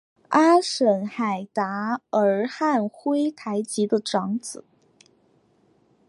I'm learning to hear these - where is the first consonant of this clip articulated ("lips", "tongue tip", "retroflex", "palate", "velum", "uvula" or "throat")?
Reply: retroflex